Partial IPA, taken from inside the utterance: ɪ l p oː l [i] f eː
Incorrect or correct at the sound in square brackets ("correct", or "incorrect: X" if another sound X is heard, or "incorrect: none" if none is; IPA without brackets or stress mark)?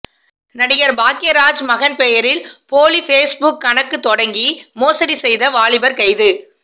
correct